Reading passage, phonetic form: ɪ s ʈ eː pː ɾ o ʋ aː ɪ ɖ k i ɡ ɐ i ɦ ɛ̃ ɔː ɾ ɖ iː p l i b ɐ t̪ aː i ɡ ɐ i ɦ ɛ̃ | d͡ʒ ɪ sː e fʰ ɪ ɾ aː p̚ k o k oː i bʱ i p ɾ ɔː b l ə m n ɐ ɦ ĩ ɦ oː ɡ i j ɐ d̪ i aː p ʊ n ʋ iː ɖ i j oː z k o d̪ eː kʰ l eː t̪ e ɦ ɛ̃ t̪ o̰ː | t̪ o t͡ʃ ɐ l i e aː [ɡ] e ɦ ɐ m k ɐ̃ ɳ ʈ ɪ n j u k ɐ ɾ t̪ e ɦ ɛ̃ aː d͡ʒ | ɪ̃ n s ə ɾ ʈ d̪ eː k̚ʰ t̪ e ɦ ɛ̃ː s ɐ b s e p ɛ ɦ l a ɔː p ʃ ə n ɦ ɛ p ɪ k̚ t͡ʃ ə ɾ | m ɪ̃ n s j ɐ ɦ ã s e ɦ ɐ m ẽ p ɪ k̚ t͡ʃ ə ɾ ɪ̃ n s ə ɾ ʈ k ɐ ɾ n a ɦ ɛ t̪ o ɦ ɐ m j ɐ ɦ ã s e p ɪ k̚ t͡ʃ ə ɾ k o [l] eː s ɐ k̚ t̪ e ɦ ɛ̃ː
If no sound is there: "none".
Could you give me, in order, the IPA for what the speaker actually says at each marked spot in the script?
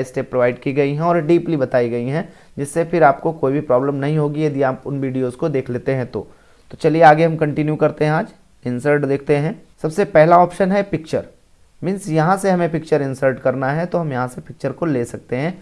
ɡ, l

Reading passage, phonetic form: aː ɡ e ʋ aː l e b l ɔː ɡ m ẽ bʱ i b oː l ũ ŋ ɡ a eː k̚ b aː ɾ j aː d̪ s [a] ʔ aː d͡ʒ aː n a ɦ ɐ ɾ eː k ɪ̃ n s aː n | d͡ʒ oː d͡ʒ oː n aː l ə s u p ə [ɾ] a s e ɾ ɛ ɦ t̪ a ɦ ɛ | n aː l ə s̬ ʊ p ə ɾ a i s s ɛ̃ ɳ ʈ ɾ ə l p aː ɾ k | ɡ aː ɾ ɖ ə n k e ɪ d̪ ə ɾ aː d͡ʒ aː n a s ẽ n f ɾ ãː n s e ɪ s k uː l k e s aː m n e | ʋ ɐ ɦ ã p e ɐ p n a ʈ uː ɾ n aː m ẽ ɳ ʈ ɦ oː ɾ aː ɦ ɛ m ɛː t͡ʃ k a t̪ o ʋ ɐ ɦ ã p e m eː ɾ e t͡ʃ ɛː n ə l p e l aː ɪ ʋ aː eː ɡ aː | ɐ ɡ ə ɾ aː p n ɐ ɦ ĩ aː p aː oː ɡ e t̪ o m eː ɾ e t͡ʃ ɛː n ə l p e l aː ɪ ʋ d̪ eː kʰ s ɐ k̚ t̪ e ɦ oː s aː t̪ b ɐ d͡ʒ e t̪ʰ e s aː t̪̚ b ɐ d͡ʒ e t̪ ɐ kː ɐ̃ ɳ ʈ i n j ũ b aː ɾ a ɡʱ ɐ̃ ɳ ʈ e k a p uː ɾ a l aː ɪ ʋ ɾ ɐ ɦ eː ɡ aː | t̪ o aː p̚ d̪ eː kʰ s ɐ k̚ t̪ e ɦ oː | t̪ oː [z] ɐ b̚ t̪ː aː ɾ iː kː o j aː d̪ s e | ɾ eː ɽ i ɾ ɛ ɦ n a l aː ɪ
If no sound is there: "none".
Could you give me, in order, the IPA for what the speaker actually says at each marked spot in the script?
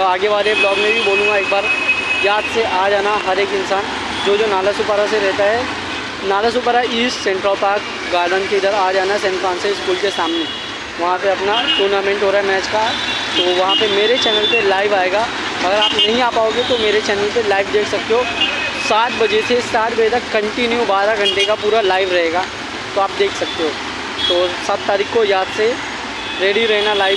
e, ɾ, s

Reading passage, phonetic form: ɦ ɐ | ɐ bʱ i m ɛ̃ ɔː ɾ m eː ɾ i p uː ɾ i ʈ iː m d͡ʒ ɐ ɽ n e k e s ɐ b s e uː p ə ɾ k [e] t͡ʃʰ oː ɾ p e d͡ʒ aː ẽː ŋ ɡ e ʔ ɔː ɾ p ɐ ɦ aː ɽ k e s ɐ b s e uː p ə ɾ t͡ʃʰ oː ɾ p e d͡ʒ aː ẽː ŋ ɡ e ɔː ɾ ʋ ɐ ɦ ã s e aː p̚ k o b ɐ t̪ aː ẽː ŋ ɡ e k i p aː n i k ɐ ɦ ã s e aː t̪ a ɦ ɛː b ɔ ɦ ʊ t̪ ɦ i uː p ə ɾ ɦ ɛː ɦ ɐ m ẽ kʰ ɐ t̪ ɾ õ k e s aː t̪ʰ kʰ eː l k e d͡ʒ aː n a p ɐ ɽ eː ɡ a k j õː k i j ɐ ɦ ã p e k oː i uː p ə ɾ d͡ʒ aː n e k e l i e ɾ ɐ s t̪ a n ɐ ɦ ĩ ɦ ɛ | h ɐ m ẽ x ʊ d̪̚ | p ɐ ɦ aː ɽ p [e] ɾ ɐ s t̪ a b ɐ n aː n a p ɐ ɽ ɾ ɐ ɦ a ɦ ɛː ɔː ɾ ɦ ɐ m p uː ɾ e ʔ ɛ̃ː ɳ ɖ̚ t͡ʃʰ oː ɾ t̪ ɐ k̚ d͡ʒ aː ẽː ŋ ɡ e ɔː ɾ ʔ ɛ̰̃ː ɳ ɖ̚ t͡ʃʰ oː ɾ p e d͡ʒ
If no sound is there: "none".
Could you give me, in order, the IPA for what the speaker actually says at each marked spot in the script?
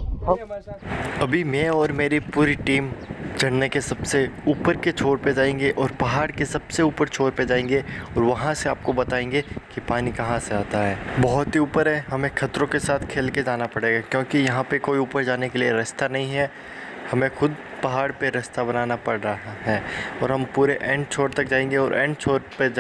e, e

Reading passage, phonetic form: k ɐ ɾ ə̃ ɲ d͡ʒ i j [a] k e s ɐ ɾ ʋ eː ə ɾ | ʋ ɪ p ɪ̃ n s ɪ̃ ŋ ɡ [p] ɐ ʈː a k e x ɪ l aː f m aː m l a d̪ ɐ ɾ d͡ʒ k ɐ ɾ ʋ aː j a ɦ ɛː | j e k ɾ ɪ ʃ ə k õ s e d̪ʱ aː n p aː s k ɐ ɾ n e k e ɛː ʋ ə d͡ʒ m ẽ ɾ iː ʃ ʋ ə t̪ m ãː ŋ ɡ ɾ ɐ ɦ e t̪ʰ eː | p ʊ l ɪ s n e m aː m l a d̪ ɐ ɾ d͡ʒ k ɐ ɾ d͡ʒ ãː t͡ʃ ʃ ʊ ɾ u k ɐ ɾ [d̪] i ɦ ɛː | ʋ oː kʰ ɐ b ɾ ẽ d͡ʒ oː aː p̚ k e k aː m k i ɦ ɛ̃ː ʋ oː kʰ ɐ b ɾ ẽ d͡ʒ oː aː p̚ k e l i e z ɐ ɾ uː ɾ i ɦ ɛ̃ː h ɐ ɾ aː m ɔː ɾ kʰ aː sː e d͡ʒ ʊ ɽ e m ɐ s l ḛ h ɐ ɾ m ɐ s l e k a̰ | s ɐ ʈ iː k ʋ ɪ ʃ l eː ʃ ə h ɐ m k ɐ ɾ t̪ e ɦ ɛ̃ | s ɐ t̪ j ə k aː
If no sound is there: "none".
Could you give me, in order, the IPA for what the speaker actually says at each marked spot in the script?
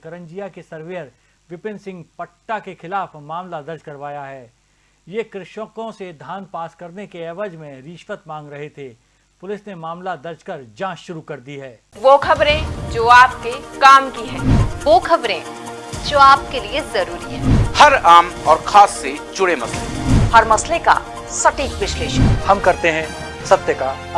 a, p, d̪

